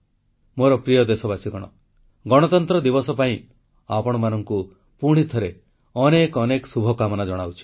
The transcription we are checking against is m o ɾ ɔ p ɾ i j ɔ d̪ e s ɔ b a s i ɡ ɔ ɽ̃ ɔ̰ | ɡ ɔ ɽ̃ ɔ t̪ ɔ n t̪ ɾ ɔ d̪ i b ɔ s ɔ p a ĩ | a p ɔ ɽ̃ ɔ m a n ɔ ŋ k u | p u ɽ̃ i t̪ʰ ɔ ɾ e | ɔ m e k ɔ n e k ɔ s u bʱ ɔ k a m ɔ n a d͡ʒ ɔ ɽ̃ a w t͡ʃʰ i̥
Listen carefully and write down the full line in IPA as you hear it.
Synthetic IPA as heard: m o ɾ ɔ p ɾ i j ɔ d̪ e s ɔ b a s i ɡ ɔ ɽ̃ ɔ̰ | ɡ ɔ ɽ̃ ɔ t̪ ɔ n t̪ ɾ ɔ d̪ i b ɔ s ɔ p a ĩ | a p ɔ ɽ̃ ɔ m a n ɔ ŋ k u | p u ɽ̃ i t̪ʰ ɔ ɾ e | ɔ n e k ɔ n e k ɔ s u bʱ ɔ k a m ɔ n a d͡ʒ ɔ ɽ̃ a w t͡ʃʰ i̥